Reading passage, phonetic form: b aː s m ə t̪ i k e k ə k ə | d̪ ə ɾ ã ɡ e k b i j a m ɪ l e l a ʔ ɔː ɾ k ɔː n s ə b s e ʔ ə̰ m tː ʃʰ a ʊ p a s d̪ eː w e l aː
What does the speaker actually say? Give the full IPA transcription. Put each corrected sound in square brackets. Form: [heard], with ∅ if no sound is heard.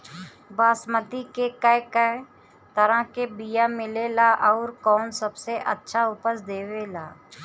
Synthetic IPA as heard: b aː s m ə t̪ i k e k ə k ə | [t̪] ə ɾ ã [k] e [∅] b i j a m ɪ l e l a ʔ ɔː ɾ k ɔː n s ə b s e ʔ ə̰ [∅] tː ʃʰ a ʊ p [ə] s d̪ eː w e l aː